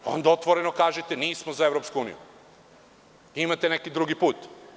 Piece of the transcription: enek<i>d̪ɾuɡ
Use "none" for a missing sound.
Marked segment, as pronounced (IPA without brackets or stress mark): i